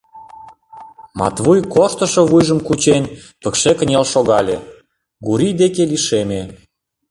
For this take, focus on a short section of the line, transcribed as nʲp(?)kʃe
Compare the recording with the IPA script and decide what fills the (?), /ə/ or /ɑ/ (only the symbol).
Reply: ə